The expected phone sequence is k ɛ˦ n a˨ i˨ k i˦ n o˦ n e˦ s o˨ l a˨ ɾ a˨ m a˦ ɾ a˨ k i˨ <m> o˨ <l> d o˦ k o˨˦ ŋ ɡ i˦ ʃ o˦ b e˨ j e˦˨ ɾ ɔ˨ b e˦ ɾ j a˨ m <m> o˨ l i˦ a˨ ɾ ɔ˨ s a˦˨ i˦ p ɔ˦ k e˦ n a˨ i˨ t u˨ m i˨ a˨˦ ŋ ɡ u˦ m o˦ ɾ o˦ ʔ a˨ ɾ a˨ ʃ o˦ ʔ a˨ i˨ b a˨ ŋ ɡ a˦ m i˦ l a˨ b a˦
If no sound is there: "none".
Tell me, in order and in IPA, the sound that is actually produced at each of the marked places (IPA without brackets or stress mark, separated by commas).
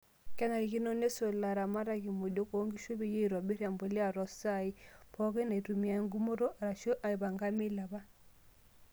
m, none, b